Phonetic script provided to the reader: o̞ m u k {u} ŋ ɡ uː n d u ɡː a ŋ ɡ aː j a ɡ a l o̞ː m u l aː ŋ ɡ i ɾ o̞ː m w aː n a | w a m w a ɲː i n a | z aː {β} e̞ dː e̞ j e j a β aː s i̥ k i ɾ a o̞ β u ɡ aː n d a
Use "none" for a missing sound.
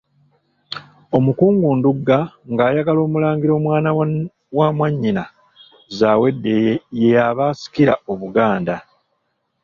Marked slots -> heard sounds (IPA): uː, w

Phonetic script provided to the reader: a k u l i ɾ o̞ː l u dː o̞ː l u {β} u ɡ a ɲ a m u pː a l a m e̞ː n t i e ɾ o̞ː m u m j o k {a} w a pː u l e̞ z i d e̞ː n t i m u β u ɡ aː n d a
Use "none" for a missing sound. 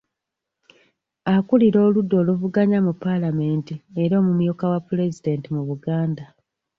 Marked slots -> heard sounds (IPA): v, a

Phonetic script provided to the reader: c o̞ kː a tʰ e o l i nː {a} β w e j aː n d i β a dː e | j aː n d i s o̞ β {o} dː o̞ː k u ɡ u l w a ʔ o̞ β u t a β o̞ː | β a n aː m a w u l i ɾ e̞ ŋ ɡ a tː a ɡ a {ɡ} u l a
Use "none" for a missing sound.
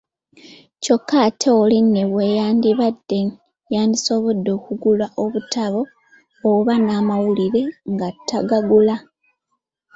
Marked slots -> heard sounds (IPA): e, o, ɡ

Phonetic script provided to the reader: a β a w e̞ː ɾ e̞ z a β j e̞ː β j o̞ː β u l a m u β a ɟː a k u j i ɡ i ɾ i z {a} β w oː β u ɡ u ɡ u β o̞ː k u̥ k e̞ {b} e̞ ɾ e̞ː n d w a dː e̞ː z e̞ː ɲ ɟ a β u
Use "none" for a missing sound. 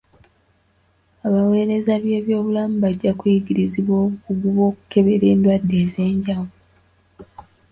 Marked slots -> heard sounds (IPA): i, β

